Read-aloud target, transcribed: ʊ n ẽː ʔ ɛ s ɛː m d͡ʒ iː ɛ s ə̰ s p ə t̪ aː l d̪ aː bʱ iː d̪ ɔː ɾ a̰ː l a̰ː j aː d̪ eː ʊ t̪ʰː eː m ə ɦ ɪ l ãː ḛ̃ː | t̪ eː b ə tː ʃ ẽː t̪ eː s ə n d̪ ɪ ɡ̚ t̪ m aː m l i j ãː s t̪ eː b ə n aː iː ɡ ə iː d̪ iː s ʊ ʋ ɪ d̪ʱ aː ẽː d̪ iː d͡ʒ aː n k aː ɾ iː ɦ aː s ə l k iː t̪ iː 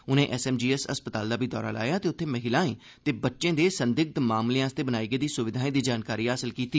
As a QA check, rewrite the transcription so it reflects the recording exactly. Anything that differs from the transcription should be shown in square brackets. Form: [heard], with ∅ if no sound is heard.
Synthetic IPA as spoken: ʊ n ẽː ʔ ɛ s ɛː m d͡ʒ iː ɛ s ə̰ s p ə t̪ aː l d̪ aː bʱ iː d̪ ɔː ɾ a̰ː l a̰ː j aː [t̪] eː ʊ t̪ʰː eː m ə ɦ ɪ l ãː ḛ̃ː | t̪ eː b ə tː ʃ ẽː [d̪] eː s ə n d̪ ɪ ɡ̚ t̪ m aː m l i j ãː s t̪ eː b ə n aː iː ɡ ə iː d̪ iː s ʊ ʋ ɪ d̪ʱ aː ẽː d̪ iː d͡ʒ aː n k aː ɾ iː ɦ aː s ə l k iː t̪ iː